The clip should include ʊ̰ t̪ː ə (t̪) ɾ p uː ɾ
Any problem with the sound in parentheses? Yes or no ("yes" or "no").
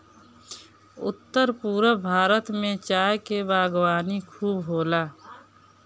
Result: yes